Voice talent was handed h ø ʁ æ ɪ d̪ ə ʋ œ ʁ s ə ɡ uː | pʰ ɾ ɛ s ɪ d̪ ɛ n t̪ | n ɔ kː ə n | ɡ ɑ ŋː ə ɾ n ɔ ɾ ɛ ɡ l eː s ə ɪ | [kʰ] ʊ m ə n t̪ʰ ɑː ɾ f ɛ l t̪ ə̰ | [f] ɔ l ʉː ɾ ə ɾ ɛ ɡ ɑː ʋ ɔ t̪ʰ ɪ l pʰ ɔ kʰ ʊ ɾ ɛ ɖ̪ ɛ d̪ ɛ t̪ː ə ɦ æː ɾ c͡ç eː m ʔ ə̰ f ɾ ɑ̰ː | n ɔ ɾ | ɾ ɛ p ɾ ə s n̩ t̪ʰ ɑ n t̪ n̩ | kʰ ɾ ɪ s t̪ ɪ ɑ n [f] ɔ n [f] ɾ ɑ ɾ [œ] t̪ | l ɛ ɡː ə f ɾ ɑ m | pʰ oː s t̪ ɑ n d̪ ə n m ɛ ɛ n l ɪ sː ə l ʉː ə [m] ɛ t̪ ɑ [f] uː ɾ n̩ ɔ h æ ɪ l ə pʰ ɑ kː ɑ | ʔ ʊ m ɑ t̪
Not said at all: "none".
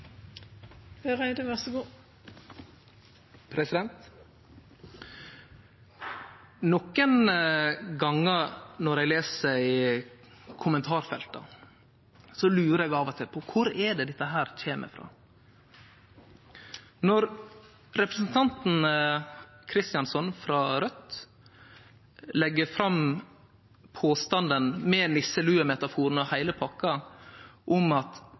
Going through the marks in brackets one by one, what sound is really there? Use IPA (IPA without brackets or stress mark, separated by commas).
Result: kʰ, s, s, f, œ, m, f